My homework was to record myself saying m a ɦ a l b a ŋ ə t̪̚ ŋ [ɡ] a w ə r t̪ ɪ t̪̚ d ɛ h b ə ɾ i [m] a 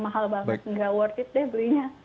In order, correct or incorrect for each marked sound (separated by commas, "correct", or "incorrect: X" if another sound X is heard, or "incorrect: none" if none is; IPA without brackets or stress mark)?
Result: correct, incorrect: ɲ